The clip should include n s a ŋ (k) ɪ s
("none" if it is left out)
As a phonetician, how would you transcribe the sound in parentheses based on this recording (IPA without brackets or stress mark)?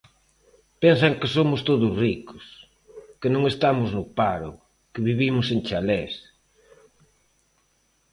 k